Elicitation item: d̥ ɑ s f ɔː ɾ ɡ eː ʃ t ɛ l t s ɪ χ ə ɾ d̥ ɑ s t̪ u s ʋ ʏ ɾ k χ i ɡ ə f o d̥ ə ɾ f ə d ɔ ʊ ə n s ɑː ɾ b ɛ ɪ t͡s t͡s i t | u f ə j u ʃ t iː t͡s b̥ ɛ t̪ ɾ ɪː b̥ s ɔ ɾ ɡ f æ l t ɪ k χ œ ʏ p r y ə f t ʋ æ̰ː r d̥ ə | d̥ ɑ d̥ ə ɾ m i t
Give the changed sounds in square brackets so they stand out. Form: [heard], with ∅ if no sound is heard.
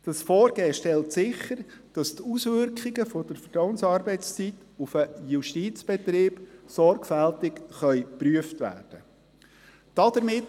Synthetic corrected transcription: d̥ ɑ s f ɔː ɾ ɡ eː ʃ t ɛ l t s ɪ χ ə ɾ d̥ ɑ s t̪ u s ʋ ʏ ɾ k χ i ɡ ə f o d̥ ə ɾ f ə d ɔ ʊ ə n s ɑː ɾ b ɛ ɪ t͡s t͡s i t | u f ə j u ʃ t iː t͡s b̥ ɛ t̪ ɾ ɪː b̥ s ɔ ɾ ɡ f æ l t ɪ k χ œ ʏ p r y ə f t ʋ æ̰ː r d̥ ə | d̥ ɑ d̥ ə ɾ m [ɪ] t